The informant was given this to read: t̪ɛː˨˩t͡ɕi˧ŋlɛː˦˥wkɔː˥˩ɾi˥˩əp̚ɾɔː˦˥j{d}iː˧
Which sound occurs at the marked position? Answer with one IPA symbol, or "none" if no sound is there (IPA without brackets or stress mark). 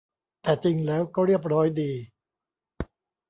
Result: d